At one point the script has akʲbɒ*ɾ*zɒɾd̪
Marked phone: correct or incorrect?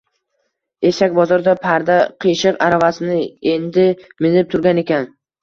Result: incorrect